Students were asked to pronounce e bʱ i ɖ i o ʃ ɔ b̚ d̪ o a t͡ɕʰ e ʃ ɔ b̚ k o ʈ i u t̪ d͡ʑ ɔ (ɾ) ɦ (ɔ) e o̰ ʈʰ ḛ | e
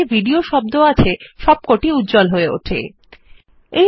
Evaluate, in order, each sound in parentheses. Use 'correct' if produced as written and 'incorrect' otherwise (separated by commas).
incorrect, incorrect